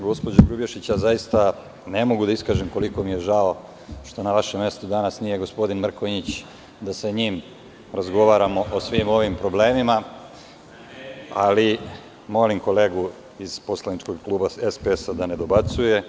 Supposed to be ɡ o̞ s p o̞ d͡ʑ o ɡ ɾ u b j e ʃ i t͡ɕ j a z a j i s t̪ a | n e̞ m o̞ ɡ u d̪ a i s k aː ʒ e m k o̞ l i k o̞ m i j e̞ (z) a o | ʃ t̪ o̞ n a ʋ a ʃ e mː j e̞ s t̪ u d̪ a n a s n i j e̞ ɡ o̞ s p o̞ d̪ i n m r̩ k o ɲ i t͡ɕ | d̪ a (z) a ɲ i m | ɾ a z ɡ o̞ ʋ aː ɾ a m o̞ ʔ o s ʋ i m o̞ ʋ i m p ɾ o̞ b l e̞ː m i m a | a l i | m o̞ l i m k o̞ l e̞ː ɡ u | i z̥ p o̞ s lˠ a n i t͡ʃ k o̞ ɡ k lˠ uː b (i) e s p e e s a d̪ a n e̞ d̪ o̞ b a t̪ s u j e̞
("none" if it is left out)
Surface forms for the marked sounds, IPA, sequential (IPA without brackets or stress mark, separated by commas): ʒ, s, a